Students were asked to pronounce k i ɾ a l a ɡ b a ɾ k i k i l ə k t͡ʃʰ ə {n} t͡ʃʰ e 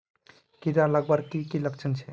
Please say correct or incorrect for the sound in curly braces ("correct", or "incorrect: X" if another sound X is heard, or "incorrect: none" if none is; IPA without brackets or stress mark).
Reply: correct